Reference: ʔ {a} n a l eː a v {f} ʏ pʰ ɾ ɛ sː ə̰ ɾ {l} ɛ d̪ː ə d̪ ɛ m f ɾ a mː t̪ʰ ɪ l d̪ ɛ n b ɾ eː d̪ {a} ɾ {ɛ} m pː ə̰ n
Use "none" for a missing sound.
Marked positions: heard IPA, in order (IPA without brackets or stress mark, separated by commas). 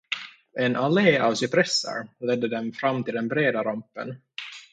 ɛ, s, l, a, a